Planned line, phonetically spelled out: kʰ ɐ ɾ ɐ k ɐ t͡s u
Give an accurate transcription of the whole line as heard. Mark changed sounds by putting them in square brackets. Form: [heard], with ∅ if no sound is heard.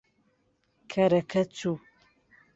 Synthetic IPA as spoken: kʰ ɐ ɾ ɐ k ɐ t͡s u